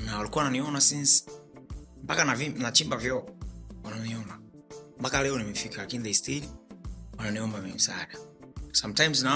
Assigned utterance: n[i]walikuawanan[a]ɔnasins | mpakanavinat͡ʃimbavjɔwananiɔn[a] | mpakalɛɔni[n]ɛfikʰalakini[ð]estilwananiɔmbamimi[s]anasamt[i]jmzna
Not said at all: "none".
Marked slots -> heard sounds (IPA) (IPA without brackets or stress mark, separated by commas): a, i, a, m, ð, s, a